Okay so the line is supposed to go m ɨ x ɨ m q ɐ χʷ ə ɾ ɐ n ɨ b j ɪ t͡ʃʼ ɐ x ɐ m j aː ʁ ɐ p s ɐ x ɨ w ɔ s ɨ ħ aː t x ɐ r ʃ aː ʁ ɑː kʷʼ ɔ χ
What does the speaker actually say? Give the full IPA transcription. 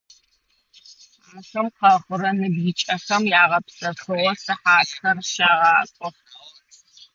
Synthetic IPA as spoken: m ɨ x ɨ m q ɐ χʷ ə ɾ ɐ n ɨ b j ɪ t͡ʃʼ ɐ x ɐ m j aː ʁ ɐ p s ɐ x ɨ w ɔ s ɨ ħ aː t x ɐ r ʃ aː ʁ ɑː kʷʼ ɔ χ